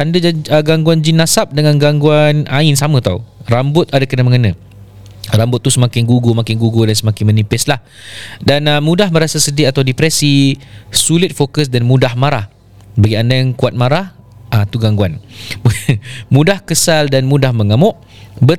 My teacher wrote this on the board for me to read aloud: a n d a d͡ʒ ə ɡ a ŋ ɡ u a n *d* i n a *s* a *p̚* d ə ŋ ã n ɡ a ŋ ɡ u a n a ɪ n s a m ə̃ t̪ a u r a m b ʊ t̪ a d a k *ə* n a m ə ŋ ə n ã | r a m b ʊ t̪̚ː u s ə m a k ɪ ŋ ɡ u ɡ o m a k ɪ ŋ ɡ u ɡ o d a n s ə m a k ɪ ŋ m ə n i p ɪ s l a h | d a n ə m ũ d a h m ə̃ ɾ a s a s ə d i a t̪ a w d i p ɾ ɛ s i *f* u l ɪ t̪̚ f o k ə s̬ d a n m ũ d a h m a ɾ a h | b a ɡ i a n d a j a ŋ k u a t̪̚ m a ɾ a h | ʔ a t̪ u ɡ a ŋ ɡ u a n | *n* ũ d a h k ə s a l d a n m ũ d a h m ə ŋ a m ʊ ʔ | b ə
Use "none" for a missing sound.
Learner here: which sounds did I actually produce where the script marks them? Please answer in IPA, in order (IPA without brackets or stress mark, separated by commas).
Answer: d͡ʒ, s, p̚, ə, s, m